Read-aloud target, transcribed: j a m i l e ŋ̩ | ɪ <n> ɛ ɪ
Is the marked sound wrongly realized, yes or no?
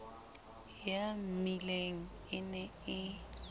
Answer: no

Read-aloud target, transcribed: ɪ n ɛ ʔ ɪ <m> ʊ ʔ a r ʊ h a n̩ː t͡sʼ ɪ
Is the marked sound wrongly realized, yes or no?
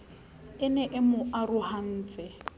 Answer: no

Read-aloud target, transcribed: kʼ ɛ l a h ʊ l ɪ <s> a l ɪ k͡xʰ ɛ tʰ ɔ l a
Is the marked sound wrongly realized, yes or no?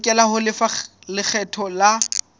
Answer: yes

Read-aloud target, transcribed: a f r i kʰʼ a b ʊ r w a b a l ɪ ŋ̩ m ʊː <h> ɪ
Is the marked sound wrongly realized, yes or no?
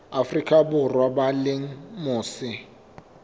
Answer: yes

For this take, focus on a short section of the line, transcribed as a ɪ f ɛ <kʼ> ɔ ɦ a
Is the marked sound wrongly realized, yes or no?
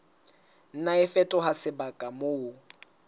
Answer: yes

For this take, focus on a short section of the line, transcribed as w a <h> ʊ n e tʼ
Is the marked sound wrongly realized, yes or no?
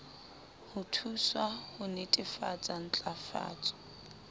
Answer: no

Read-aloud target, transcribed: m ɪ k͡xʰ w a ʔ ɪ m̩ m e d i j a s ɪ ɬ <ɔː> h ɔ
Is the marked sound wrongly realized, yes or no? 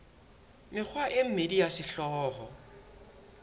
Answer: no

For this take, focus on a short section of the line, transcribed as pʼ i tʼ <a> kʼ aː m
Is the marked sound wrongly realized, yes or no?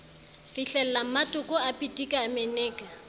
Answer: yes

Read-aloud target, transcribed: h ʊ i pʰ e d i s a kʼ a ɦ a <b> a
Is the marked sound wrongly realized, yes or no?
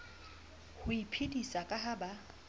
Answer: no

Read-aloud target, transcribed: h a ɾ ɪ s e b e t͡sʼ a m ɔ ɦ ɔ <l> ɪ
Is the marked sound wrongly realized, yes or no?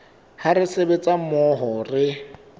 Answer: yes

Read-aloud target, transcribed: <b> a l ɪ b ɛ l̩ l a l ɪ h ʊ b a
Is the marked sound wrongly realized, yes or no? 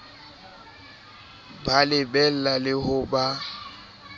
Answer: no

